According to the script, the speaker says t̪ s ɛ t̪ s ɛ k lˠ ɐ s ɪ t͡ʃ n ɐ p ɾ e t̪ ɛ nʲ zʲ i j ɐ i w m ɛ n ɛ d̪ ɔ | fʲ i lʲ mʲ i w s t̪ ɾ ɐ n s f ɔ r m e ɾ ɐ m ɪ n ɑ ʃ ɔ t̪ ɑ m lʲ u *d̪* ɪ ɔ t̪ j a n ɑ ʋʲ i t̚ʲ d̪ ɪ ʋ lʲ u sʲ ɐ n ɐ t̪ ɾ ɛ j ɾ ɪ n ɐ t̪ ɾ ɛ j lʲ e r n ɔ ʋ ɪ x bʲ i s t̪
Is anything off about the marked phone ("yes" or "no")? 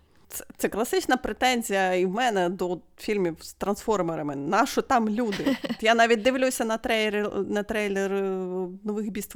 no